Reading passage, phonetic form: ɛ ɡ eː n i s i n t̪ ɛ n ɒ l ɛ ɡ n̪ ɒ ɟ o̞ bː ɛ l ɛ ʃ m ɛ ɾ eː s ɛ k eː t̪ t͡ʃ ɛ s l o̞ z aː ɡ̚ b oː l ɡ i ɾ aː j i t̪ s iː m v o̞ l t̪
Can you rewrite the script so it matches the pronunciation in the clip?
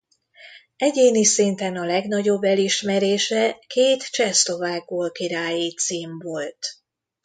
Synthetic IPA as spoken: ɛ ɟ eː n i s i n t̪ ɛ n ɒ l ɛ ɡ n̪ ɒ ɟ o̞ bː ɛ l i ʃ m ɛ ɾ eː ʃ ɛ k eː t̪ t͡ʃ ɛ s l o̞ v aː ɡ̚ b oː l k i ɾ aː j i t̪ s iː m v o̞ l t̪